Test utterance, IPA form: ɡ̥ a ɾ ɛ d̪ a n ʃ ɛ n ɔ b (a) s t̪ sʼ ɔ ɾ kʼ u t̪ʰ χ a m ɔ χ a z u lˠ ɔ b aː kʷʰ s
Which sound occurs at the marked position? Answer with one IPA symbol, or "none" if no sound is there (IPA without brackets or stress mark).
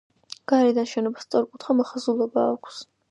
a